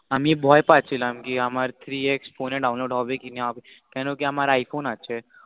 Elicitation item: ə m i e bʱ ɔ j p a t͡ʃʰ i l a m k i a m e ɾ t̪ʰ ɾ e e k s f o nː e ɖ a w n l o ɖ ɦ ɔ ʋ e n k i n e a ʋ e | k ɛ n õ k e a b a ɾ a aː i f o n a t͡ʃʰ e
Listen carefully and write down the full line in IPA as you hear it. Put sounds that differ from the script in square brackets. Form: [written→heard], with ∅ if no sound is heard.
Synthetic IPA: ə m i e bʱ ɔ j p a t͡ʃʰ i l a m k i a m [e→a] ɾ t̪ʰ ɾ [e→i] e k s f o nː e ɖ a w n l o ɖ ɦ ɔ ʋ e [n→∅] k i n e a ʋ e | k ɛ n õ k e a [b→m] a ɾ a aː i f o n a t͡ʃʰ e